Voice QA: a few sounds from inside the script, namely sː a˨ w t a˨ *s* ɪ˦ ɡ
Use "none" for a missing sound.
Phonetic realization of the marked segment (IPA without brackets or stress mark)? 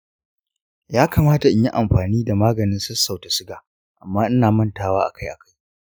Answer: s